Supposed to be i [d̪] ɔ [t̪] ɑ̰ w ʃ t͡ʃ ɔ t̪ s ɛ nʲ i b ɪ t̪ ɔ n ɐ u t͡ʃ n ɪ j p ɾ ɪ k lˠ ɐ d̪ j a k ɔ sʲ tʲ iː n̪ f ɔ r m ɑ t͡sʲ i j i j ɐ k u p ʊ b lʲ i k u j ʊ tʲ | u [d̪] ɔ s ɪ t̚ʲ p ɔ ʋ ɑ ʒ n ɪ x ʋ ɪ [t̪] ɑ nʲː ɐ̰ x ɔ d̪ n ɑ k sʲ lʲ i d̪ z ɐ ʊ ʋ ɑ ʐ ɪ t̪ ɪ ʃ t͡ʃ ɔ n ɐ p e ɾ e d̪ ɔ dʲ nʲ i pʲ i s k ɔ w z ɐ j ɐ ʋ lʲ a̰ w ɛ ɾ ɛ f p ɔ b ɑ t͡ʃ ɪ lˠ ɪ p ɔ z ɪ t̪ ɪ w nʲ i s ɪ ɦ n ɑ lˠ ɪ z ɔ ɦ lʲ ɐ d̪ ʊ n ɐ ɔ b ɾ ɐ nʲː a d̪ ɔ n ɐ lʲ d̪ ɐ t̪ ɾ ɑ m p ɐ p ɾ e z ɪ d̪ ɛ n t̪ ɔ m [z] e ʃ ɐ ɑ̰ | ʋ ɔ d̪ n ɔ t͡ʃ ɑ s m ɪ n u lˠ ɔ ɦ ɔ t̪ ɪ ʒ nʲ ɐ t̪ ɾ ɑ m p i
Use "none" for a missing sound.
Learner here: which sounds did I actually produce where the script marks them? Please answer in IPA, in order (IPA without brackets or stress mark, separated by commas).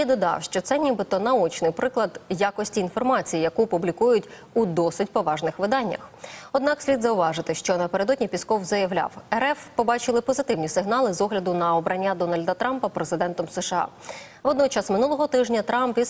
d̪, d̪, d̪, d̪, s